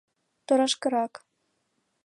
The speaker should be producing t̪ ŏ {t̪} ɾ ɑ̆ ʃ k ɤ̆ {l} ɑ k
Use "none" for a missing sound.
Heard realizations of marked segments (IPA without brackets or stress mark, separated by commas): none, ɾ